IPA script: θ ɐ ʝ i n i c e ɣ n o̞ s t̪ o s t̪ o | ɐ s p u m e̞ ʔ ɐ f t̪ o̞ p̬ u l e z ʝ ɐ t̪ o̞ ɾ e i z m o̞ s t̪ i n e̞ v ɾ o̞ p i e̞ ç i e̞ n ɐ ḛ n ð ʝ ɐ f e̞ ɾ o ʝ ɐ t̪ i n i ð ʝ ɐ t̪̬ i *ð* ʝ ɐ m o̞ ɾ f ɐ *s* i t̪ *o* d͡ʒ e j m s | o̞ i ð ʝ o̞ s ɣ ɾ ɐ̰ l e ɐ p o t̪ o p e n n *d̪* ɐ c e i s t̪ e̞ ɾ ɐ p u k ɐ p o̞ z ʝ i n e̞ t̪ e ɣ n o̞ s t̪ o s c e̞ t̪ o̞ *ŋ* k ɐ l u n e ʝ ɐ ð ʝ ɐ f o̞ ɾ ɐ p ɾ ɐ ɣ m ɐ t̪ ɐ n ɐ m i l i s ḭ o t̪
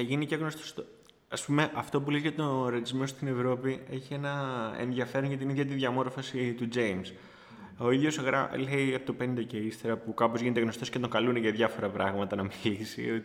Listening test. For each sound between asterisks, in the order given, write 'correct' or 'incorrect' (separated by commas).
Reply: correct, correct, incorrect, correct, correct